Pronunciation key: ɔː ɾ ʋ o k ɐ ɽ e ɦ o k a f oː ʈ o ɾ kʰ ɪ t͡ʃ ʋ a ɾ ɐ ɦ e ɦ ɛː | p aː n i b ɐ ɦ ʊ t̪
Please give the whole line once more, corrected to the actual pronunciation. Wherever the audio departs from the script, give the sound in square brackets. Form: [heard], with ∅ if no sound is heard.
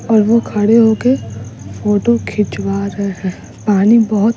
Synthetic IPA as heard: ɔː ɾ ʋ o [kʰ] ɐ ɽ e ɦ o k [e] f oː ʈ o [∅] kʰ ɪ t͡ʃ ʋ a ɾ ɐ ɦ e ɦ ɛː | p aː n i b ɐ ɦ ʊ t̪